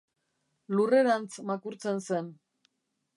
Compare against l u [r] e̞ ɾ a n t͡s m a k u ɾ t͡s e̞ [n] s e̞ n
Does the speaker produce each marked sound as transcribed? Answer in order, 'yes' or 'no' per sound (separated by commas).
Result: yes, yes